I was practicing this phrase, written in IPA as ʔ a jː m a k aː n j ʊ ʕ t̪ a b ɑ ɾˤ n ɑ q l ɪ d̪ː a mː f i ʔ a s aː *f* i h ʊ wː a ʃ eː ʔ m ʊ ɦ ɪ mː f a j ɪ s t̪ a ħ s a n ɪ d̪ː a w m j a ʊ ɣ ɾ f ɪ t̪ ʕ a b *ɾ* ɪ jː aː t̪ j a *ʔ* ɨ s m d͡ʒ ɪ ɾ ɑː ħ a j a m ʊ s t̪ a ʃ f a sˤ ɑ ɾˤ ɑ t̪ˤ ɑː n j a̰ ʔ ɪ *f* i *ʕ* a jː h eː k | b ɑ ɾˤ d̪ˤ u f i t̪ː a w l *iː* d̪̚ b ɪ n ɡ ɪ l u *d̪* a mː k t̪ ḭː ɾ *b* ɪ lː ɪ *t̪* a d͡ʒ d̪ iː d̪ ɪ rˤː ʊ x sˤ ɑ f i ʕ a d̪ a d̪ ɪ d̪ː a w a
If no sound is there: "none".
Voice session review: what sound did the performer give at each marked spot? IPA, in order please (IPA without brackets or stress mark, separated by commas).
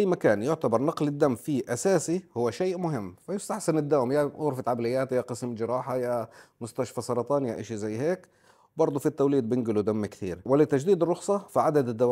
s, l, q, ʃ, z, iː, d̪, w, t̪